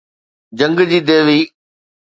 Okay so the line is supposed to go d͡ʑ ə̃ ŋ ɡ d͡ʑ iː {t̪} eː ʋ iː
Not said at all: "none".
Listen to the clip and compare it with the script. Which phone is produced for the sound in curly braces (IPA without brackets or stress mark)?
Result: d̪